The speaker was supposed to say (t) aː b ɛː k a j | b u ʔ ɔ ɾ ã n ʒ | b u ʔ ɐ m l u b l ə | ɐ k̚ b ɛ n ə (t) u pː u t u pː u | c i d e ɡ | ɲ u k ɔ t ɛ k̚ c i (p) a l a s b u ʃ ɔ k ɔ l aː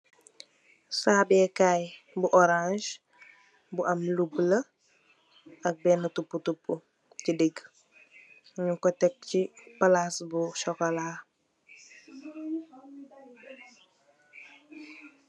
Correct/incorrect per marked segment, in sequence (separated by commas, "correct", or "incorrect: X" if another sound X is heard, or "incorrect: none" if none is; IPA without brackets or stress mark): incorrect: s, correct, correct